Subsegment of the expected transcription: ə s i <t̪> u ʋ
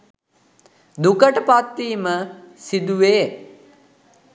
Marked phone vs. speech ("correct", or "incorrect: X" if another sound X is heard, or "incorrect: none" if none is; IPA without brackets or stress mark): incorrect: d̪